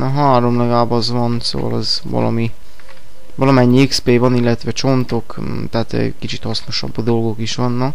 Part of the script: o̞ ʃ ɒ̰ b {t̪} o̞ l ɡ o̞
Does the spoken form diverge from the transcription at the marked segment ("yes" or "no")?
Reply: yes